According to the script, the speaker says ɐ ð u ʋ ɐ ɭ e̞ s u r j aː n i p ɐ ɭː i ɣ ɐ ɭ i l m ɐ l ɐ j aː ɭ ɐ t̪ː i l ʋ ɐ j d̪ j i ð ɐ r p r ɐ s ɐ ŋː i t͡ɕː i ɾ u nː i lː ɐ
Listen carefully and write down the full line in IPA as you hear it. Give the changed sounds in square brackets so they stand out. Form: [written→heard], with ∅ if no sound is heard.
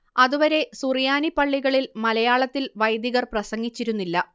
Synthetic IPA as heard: ɐ ð u ʋ ɐ [ɭ→ɾ] e̞ s u r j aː n i p ɐ ɭː i ɣ ɐ ɭ i l m ɐ l ɐ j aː ɭ ɐ t̪ː i l ʋ ɐ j d̪ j i [ð→ɣ] ɐ r p r ɐ s ɐ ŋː i t͡ɕː i ɾ u nː i lː ɐ